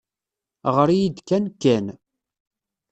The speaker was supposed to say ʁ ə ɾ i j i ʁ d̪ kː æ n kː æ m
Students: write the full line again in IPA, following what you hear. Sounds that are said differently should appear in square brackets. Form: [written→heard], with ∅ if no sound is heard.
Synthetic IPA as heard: ʁ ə ɾ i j i [ʁ→∅] d̪ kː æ n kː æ [m→n]